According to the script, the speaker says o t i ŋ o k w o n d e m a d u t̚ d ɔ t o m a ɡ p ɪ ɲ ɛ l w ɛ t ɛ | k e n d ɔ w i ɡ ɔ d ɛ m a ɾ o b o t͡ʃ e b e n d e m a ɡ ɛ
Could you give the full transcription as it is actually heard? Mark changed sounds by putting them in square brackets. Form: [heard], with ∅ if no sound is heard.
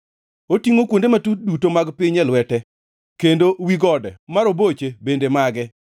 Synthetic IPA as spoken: o t i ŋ o k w o n d e m a [t] u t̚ d [u] t o m a ɡ p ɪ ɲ ɛ l w ɛ t ɛ | k e n d [o] w i ɡ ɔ d ɛ m a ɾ o b o t͡ʃ e b e n d e m a ɡ ɛ